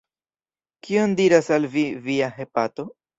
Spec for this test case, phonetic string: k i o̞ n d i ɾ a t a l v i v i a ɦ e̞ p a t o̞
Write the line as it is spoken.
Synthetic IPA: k i o̞ n d i ɾ a s a l v i v i a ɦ e̞ p a t o̞